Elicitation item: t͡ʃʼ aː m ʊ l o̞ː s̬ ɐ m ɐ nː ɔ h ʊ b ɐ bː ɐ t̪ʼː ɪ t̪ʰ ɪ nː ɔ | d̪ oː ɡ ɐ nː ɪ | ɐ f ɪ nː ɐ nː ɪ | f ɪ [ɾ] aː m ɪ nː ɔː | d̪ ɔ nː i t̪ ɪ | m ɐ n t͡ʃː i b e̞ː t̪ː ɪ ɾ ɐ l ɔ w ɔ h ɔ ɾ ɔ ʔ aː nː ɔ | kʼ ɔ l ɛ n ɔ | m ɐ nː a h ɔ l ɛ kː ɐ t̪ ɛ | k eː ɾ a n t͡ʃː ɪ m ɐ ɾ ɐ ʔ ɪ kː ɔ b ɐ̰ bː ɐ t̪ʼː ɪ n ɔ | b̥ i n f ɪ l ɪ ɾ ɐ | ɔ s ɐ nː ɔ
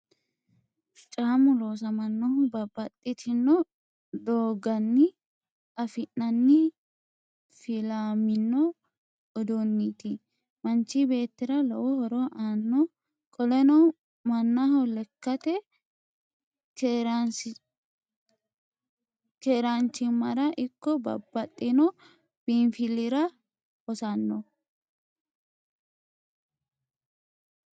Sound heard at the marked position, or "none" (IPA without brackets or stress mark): l